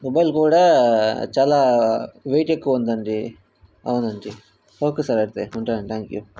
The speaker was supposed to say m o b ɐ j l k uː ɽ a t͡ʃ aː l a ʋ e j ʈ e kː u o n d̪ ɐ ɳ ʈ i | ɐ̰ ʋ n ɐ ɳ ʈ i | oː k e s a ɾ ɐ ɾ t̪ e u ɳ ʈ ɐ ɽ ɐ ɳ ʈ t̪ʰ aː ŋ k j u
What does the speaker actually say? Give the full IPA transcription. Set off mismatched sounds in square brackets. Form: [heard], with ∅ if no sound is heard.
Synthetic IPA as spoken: m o b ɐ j l k uː ɽ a t͡ʃ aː l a ʋ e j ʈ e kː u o n d̪ ɐ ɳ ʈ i | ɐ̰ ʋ n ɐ ɳ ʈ i | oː k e s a ɾ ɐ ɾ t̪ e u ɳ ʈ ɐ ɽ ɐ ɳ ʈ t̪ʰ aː ŋ k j u